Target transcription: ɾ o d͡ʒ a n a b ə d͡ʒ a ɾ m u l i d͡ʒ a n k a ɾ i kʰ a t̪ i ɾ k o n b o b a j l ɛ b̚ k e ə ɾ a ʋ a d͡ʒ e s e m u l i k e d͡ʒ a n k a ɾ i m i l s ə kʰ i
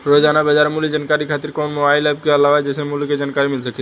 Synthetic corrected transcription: ɾ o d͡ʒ a n a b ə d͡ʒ a ɾ m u l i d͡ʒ a n k a ɾ i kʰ a t̪ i ɾ k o n m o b a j l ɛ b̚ k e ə l a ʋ a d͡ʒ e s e m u l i k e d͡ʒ a n k a ɾ i m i l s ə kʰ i